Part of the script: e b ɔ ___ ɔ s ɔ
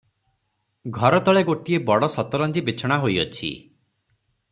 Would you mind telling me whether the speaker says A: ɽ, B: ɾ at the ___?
A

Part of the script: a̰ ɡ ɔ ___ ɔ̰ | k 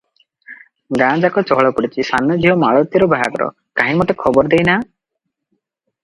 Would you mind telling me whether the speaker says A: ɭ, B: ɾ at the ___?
B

